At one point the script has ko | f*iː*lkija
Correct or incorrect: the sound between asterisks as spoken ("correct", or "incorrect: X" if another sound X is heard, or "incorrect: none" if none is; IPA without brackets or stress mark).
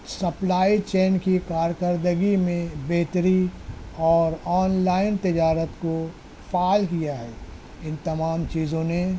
incorrect: aː